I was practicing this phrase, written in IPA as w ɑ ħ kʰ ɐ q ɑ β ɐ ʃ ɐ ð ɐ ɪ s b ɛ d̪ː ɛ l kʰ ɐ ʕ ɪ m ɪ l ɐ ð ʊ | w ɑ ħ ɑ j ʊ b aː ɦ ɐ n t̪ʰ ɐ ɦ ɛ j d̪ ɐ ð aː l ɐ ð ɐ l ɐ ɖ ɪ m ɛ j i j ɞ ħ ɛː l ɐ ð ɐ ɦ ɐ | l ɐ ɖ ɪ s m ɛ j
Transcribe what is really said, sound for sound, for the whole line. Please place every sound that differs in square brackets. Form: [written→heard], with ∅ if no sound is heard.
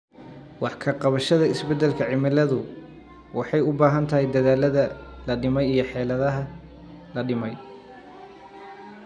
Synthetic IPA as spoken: w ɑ ħ kʰ ɐ q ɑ β ɐ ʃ ɐ ð ɐ ɪ s b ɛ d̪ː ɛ l kʰ ɐ ʕ ɪ m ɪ l ɐ ð ʊ | w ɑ ħ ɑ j ʊ b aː ɦ ɐ n t̪ʰ ɐ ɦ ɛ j d̪ ɐ ð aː l ɐ ð ɐ l ɐ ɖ ɪ m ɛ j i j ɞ ħ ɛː l ɐ ð ɐ ɦ ɐ | l ɐ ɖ ɪ [s→∅] m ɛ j